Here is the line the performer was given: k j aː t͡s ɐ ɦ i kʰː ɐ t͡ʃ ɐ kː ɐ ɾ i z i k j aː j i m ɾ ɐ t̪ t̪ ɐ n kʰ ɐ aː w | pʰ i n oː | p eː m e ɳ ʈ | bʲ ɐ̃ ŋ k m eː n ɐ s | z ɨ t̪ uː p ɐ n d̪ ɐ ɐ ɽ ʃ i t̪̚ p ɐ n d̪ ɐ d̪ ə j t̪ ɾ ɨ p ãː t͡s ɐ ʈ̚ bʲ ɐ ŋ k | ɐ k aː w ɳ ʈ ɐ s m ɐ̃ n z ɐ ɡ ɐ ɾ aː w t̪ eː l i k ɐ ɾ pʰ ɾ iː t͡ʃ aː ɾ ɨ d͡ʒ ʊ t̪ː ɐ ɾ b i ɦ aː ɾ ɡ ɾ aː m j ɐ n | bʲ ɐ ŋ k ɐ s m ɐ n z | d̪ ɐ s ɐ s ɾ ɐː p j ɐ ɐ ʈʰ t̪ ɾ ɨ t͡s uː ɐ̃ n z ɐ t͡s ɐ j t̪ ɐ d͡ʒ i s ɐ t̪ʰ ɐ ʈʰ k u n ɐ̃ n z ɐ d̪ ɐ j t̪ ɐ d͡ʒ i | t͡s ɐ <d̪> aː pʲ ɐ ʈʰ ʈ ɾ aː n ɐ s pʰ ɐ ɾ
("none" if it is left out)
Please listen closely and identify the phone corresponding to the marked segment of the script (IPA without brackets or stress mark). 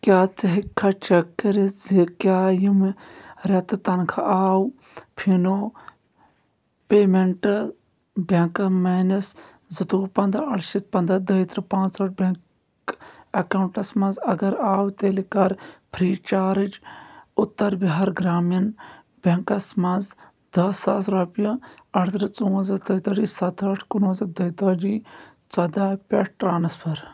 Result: d̪